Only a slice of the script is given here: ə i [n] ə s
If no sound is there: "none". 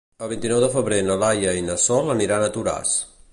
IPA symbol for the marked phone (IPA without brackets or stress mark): n